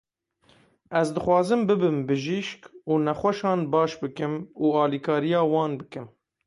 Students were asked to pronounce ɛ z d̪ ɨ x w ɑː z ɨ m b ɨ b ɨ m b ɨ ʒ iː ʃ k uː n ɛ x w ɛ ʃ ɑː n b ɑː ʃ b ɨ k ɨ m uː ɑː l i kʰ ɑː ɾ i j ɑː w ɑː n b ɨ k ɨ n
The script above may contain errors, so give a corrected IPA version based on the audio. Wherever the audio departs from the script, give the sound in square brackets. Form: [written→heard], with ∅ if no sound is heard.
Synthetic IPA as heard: ɛ z d̪ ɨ x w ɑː z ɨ m b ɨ b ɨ m b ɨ ʒ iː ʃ k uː n ɛ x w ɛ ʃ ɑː n b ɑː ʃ b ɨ k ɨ m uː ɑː l i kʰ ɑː ɾ i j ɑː w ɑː n b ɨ k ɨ [n→m]